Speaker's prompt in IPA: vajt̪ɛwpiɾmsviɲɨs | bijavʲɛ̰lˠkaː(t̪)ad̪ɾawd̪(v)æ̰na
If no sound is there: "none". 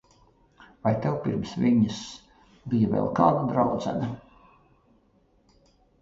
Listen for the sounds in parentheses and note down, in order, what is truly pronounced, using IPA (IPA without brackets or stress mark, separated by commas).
d̪, z